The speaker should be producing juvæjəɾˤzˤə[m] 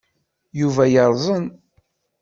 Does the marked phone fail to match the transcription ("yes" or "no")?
yes